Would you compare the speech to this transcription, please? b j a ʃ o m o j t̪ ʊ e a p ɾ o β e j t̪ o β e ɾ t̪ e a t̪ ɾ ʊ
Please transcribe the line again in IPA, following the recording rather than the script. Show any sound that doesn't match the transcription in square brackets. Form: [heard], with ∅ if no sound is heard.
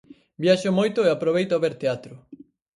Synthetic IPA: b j a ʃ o m o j t̪ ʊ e a p ɾ o β e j t̪ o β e ɾ t̪ e a t̪ ɾ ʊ